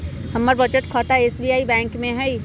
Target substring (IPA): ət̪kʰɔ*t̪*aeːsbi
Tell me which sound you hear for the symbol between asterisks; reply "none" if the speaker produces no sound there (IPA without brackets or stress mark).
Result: t̪